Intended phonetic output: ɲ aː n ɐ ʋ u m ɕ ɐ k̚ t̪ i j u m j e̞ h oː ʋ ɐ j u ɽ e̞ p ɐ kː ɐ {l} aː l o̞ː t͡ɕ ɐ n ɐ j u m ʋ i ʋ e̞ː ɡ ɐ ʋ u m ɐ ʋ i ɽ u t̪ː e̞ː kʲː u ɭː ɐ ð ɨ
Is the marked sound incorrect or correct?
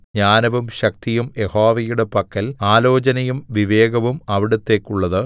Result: correct